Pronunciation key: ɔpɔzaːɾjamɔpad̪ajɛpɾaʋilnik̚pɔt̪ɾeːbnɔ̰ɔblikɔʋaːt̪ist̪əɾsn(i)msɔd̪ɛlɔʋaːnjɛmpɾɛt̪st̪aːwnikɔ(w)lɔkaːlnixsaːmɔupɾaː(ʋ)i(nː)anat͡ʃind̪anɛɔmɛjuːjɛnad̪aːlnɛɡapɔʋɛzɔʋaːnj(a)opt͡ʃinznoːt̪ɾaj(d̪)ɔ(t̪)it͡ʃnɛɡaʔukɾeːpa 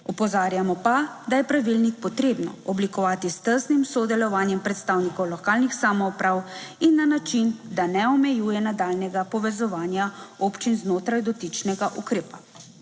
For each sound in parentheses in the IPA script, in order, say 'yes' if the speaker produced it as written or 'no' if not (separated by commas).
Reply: yes, yes, no, yes, yes, yes, yes